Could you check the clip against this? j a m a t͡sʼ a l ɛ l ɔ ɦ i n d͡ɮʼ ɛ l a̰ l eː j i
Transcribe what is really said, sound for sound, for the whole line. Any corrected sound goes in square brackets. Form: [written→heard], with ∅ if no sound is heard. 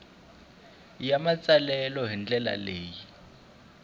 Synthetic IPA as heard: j a m a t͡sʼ a l ɛ l ɔ ɦ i n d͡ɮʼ ɛ l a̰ l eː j i